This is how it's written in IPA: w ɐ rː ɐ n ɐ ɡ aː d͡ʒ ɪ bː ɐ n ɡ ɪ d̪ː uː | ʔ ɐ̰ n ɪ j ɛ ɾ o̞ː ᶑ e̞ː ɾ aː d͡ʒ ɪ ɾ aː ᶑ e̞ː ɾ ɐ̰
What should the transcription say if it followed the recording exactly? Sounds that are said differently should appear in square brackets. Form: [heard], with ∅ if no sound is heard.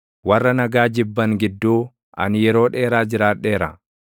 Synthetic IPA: w ɐ rː ɐ n ɐ ɡ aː d͡ʒ ɪ bː ɐ [ŋ] ɡ ɪ d̪ː uː | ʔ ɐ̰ n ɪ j ɛ ɾ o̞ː ᶑ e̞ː ɾ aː d͡ʒ ɪ ɾ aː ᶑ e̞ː ɾ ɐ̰